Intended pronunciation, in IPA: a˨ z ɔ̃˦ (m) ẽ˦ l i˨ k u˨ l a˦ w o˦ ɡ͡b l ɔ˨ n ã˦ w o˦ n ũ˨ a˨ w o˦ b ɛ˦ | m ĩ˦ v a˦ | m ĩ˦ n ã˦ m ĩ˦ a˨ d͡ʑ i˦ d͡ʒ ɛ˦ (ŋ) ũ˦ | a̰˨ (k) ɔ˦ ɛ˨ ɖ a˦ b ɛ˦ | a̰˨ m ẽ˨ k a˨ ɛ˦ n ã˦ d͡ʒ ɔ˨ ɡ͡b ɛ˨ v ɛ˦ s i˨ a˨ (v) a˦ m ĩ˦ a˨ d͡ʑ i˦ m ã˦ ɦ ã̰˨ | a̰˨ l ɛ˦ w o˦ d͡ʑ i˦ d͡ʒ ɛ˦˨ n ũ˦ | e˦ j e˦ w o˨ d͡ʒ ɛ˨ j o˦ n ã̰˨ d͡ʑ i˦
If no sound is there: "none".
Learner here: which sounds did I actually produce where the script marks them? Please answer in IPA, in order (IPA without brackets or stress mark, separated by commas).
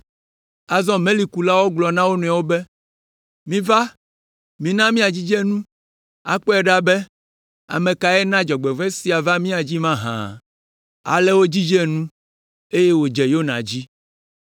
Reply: m, n, k͡p, v